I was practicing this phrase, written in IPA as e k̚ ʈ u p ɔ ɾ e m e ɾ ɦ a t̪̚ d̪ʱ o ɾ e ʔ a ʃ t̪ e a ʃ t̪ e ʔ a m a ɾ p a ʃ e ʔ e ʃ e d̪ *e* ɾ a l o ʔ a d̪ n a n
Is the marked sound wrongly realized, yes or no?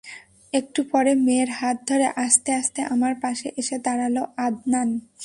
yes